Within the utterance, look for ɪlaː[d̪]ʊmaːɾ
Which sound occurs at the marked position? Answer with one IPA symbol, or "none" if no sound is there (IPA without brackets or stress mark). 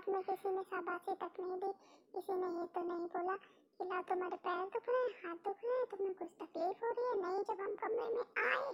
t̪